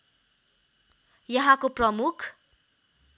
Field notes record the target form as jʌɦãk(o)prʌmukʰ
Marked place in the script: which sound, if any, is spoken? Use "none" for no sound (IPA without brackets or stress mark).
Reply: o